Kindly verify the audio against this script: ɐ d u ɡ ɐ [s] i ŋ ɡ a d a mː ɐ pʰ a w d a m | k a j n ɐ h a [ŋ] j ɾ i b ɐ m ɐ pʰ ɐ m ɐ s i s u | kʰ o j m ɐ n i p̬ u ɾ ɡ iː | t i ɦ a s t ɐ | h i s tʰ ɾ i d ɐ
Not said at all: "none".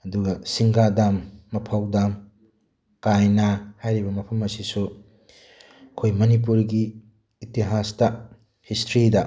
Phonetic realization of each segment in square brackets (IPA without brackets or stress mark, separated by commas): s, none